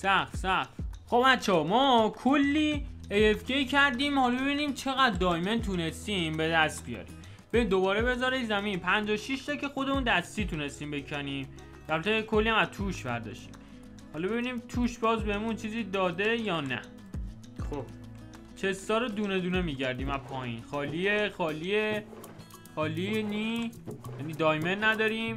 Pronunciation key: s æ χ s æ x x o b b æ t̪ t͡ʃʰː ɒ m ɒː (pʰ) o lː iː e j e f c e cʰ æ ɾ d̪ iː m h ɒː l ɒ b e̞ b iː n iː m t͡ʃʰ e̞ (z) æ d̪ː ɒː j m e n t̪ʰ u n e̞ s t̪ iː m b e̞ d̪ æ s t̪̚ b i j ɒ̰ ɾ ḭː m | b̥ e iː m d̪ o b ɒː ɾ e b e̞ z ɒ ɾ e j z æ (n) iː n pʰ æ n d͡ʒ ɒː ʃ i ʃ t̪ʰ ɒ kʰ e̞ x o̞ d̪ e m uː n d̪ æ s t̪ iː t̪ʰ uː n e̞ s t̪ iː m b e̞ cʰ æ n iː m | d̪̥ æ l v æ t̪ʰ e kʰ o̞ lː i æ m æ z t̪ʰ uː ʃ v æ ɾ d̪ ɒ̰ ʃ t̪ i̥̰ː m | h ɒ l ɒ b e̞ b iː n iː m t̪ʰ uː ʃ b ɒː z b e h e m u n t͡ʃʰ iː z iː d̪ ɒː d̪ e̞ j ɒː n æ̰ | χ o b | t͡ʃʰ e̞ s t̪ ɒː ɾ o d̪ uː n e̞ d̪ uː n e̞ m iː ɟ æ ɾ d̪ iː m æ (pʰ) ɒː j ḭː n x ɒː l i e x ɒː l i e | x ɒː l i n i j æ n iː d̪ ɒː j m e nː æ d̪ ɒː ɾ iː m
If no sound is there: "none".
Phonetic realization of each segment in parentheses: kʰ, ɣ, m, pʰ

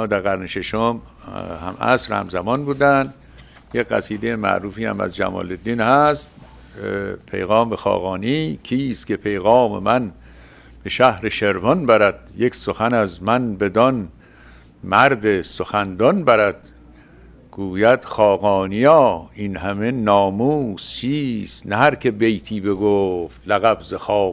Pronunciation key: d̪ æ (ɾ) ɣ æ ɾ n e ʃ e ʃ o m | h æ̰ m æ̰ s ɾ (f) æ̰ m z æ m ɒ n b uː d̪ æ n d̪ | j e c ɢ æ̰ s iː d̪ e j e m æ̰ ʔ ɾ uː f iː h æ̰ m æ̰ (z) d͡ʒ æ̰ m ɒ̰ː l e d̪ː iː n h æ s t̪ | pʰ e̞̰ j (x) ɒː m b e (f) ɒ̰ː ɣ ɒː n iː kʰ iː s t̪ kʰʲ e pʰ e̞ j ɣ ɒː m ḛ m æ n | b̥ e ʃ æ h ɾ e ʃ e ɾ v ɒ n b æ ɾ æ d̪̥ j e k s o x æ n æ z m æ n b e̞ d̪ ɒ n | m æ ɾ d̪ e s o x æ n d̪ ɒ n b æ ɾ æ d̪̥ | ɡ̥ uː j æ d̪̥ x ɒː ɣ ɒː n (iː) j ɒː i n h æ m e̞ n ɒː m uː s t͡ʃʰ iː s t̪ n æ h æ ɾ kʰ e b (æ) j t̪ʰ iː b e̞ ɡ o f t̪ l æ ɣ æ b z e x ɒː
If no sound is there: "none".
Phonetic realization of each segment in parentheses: ɾ, h, z, ɣ, x, i, e

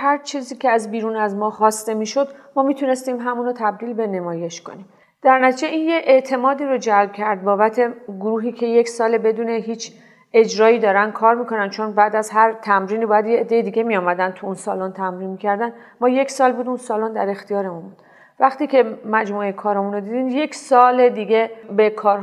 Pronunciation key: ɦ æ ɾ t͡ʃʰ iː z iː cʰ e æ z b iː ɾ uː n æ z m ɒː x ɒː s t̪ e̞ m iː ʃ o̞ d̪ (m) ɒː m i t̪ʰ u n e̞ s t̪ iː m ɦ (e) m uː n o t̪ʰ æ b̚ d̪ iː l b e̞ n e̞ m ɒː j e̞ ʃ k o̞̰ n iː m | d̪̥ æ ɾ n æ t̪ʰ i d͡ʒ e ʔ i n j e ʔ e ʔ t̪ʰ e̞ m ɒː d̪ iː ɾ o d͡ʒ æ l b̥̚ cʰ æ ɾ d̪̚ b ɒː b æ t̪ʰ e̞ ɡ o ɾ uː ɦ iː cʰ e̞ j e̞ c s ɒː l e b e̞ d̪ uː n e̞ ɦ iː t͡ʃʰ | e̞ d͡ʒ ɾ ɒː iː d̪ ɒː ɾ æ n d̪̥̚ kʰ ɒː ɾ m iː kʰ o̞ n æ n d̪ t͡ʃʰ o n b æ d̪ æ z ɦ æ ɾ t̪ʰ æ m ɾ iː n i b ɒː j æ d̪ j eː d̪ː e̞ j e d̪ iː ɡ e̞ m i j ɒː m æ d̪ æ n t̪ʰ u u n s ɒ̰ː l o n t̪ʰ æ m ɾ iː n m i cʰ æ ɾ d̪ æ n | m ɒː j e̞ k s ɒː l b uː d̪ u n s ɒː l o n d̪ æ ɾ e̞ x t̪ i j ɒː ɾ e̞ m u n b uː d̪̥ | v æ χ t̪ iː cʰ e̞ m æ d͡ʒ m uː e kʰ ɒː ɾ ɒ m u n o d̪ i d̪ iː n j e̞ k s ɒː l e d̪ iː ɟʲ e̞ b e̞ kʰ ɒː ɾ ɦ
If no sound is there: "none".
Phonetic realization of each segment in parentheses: m, æ

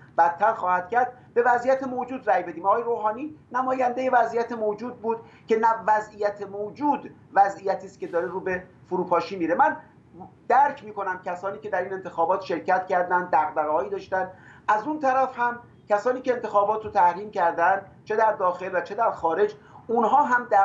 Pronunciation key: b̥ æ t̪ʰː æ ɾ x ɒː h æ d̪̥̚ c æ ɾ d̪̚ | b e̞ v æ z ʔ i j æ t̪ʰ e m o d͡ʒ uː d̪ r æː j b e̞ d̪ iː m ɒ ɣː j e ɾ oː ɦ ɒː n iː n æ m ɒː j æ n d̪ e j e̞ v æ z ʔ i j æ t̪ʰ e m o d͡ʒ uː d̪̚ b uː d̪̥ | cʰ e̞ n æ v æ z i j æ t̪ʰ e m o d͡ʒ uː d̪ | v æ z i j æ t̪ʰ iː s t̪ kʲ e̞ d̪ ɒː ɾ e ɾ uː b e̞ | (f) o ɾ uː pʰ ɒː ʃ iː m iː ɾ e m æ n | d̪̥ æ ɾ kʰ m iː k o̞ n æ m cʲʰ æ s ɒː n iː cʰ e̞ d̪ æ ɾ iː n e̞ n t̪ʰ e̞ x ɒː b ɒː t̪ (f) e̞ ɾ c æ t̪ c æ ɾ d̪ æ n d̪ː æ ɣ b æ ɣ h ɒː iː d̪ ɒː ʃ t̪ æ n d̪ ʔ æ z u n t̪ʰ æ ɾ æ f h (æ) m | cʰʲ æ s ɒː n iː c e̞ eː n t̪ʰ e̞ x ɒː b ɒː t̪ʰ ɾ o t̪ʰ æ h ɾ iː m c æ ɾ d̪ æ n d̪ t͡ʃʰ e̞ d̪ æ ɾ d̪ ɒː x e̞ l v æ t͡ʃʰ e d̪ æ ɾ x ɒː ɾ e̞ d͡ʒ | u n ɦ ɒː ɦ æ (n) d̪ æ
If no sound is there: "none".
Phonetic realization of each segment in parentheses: f, ʃ, æ, m

